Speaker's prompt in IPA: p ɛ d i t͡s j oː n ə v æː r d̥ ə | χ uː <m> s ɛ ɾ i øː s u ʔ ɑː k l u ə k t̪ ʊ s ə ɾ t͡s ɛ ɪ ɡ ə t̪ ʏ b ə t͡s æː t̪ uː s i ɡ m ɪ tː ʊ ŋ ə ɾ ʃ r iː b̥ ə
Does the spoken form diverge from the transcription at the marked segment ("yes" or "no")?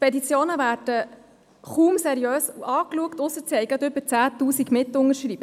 no